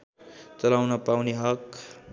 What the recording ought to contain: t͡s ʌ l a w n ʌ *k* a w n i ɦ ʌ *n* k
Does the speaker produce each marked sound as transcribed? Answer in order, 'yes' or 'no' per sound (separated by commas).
no, no